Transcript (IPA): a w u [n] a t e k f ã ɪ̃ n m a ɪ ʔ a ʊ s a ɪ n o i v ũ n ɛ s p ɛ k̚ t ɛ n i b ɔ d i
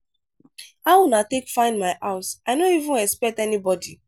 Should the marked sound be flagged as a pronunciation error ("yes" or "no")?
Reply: no